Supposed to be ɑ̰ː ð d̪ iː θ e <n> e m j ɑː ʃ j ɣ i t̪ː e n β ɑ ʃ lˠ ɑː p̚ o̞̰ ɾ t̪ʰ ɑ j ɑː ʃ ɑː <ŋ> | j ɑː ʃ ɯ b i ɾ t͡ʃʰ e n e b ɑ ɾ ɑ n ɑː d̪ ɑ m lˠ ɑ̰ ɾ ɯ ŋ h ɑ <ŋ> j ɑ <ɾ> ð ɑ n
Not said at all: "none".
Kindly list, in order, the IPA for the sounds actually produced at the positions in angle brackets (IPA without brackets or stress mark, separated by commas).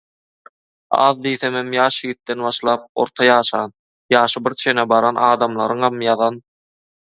m, n, m, none